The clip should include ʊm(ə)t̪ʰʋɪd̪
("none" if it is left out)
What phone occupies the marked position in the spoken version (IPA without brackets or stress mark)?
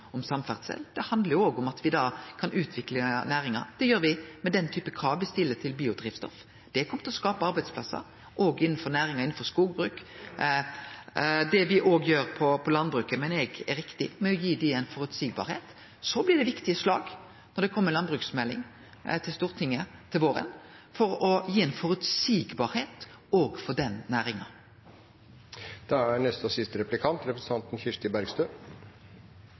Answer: ɑ